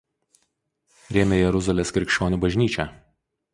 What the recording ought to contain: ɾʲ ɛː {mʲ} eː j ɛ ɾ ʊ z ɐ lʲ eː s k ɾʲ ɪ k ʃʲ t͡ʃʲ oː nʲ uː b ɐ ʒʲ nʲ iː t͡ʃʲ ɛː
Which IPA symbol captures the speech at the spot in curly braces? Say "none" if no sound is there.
mʲ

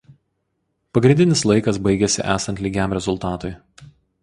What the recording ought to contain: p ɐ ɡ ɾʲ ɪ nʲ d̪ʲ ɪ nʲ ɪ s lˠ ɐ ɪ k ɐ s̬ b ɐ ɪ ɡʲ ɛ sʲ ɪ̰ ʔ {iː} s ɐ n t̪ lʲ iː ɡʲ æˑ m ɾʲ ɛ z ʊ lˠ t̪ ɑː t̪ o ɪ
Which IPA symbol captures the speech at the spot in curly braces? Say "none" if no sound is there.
æː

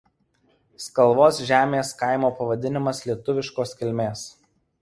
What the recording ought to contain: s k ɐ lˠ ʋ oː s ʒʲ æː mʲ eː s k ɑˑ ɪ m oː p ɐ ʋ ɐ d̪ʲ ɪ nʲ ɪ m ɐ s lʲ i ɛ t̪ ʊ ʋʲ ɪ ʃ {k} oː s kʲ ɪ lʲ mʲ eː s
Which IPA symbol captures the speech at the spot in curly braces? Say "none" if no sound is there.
k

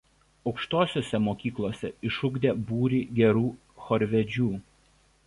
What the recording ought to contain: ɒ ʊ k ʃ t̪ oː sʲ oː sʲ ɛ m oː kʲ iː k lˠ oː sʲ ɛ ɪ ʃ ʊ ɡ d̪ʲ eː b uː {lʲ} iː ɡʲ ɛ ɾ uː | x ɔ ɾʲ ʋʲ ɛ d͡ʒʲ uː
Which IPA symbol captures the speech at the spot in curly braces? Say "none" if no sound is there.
ɾʲ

